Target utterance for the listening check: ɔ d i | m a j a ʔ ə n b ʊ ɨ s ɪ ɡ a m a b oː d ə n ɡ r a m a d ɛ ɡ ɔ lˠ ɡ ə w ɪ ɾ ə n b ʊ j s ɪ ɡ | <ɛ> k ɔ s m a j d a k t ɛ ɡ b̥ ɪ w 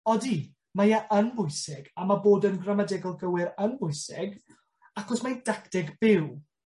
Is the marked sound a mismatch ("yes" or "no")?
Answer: yes